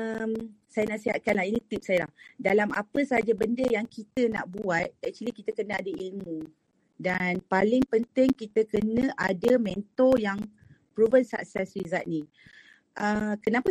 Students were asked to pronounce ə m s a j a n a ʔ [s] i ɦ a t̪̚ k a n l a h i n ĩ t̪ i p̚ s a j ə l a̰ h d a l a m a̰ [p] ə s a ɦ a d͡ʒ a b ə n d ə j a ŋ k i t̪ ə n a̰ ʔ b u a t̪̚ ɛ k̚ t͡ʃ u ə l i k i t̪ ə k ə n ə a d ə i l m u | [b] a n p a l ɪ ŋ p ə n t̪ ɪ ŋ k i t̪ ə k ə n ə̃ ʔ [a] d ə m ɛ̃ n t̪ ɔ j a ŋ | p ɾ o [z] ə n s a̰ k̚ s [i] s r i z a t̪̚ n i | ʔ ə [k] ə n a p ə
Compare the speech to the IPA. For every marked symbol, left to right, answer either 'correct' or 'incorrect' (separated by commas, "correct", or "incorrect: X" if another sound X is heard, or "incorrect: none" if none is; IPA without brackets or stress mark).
correct, correct, incorrect: d, correct, incorrect: v, incorrect: ɛ, correct